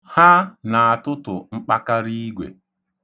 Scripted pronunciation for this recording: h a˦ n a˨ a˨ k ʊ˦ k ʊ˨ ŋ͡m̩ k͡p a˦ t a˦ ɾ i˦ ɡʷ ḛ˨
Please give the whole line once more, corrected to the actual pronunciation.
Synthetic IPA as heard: h a˦ n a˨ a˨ t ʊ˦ t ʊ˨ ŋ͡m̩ k͡p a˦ k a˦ ɾ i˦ ɡʷ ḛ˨